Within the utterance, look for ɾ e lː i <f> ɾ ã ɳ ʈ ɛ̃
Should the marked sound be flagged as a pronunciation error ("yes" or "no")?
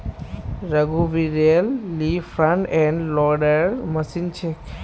no